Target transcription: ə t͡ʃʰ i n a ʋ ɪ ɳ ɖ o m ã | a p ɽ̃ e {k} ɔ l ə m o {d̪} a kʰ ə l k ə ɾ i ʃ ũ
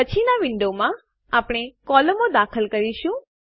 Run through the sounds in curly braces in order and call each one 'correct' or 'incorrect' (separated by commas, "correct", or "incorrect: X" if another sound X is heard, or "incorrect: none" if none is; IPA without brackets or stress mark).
correct, correct